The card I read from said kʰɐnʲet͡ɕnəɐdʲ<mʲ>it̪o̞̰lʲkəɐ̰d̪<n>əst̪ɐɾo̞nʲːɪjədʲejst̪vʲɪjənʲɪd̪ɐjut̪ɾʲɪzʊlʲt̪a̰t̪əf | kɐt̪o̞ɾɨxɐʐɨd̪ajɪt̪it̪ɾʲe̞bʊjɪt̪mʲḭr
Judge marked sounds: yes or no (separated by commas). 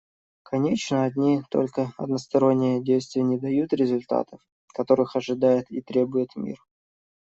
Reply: no, yes